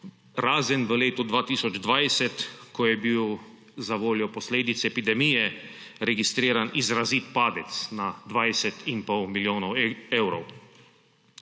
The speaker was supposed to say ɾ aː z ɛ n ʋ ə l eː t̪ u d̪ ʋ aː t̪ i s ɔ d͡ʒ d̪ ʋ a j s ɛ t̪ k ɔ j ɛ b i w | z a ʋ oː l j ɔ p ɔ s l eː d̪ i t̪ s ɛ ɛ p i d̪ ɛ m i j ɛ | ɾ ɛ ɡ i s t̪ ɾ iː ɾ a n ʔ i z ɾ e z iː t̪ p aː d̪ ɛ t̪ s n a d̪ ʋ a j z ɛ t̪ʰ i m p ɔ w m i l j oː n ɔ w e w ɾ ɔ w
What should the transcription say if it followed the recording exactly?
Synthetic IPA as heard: ɾ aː z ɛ n ʋ ə l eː t̪ u d̪ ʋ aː t̪ i s ɔ d͡ʒ d̪ ʋ a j s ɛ t̪ k ɔ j ɛ b i w | z a ʋ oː l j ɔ p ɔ s l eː d̪ i t̪ s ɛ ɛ p i d̪ ɛ m i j ɛ | ɾ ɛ ɡ i s t̪ ɾ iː ɾ a n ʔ i z ɾ a z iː t̪ p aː d̪ ɛ t̪ s n a d̪ ʋ a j s ɛ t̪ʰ i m p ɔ w m i l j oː n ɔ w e w ɾ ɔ w